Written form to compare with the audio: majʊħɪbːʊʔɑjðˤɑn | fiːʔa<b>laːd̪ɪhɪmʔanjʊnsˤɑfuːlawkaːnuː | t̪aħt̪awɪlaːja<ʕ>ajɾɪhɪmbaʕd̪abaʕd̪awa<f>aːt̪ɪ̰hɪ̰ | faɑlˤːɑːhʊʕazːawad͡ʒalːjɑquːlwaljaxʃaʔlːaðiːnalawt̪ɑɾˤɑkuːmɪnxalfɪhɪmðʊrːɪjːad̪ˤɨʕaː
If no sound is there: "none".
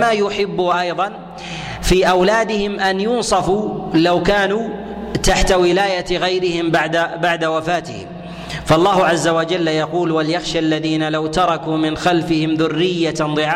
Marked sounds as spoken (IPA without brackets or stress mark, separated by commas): w, ɣ, f